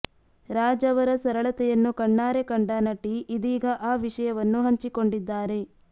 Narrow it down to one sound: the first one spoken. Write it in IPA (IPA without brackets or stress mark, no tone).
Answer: ɾ